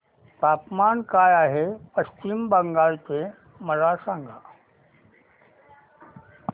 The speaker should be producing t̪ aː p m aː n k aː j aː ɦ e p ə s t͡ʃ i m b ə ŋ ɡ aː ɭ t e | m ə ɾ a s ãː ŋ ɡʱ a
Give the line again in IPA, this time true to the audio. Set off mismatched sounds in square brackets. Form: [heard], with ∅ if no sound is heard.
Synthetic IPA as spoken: t̪ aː p m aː n k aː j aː ɦ e p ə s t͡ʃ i m b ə ŋ ɡ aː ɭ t e | m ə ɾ a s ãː ŋ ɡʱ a

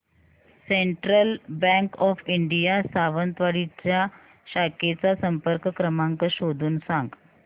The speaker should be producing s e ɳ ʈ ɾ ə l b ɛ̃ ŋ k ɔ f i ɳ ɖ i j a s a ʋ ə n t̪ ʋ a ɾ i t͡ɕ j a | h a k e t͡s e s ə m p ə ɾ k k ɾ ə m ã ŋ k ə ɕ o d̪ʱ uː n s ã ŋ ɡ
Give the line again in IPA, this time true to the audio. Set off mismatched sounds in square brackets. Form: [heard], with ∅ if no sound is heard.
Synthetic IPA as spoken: s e ɳ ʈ ɾ ə l b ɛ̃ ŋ k ɔ f i ɳ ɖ i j a s a ʋ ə n t̪ ʋ a [ɽ] i t͡ɕ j a | [ɕ] a k e t͡s [a] s ə m p ə ɾ k k ɾ ə m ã ŋ k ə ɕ o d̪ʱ uː n s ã ŋ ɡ

